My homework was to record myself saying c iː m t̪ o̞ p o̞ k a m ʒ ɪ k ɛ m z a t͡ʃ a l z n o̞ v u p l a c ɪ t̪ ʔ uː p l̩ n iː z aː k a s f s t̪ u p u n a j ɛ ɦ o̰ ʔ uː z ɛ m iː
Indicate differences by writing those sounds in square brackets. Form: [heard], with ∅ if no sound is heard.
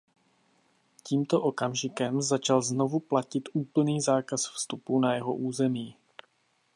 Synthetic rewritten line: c iː m t̪ o̞ [ʔ] o̞ k a m ʒ ɪ k ɛ m z a t͡ʃ a l z n o̞ v u p l a c ɪ t̪ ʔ uː p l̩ n iː z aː k a s f s t̪ u p u n a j ɛ ɦ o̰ ʔ uː z ɛ m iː